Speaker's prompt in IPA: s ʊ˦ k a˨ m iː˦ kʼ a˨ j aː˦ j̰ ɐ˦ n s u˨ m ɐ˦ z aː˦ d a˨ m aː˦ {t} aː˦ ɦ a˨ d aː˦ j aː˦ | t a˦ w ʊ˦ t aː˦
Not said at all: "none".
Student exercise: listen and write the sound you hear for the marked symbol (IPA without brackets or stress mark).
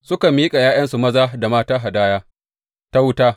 t